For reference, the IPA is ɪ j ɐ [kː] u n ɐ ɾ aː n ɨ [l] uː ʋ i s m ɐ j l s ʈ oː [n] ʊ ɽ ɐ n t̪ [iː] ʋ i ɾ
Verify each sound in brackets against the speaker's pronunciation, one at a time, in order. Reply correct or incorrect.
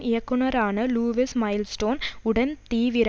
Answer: correct, correct, correct, correct

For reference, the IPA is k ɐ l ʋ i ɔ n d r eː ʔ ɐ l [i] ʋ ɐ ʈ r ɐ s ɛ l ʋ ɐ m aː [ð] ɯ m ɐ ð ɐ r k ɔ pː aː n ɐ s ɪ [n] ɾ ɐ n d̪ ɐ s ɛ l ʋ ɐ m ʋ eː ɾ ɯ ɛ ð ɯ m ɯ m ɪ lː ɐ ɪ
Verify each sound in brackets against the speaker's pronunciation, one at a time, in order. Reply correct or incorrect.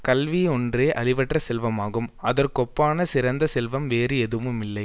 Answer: incorrect: ɪ, incorrect: ɣ, incorrect: none

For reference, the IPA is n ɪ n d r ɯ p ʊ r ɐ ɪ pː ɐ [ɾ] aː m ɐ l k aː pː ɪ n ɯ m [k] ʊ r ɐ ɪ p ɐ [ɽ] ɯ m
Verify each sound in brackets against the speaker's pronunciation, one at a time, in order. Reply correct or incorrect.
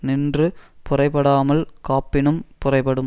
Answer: incorrect: ɽ, incorrect: p, correct

